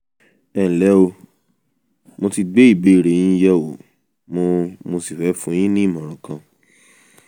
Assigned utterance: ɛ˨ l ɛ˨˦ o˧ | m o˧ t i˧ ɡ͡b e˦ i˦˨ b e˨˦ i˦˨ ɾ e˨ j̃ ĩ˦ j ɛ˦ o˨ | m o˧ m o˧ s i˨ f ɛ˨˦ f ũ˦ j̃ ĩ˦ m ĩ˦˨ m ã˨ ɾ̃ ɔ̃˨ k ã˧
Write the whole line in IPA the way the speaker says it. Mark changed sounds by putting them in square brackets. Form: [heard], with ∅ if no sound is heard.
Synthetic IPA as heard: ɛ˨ l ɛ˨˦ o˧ | m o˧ t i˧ ɡ͡b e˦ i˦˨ b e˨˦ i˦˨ ɾ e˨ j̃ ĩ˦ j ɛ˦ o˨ | m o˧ m o˧ s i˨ f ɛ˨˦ f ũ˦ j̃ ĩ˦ [n] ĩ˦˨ m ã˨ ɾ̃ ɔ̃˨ k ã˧